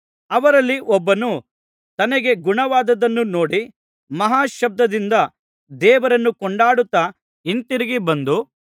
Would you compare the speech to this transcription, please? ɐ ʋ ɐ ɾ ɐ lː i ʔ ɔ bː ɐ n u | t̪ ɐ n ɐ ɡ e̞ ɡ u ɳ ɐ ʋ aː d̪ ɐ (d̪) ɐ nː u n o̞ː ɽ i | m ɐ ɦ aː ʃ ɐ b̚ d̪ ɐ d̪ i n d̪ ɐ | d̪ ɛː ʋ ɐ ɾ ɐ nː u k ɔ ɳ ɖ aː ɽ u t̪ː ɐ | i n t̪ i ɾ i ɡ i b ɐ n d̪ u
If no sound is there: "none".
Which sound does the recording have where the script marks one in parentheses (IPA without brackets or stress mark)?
d̪